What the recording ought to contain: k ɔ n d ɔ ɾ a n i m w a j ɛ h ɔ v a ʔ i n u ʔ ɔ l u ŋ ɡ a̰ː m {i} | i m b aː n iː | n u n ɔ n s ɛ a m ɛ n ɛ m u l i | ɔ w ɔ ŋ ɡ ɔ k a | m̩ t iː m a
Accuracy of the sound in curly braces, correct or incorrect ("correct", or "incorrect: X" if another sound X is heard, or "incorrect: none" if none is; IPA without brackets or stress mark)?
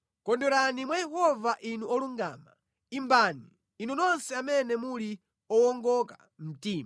incorrect: a